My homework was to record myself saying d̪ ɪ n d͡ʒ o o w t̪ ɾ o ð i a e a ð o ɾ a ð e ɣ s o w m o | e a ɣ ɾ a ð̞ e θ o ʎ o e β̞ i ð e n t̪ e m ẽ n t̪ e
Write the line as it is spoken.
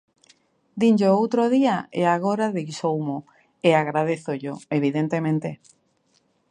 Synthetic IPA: d̪ i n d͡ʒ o o w t̪ ɾ o ð i a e a ɣ o ɾ a ð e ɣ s o w m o | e a ɣ ɾ a ð̞ e θ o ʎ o e β̞ i ð e n t̪ e m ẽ n t̪ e